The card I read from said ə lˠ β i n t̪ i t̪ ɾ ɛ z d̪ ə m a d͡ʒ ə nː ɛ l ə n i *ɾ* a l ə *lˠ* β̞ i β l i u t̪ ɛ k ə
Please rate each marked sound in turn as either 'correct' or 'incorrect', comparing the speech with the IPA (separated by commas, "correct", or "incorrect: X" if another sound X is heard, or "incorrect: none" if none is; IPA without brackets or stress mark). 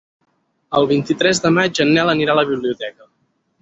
correct, incorrect: none